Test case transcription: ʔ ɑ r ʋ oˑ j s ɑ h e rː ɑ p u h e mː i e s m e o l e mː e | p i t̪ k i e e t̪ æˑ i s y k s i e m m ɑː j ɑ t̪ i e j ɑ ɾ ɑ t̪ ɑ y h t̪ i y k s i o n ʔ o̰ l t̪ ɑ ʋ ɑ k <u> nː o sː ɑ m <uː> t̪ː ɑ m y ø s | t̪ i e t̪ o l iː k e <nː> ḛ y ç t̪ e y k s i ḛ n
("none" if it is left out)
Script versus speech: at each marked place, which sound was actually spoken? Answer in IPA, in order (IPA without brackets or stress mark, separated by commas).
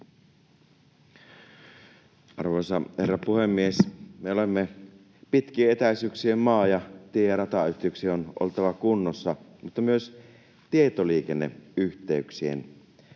u, u, nː